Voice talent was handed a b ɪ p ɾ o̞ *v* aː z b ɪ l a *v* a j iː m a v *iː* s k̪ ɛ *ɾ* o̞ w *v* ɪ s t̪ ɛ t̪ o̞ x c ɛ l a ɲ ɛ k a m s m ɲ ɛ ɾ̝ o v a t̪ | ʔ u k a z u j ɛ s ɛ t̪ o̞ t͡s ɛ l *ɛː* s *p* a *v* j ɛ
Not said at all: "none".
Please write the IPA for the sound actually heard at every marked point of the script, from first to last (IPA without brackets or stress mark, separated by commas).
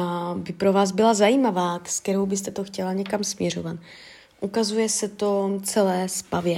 v, z, aː, ɾ, b, ɛː, p, v